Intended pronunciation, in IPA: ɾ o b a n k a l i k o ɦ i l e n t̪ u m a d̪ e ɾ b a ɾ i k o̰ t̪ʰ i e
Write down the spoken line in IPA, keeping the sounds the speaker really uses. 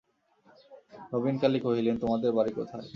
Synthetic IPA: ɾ o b i n k a l i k o ɦ i l e n t̪ o m a d̪ e ɾ b a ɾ i k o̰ t̪ʰ a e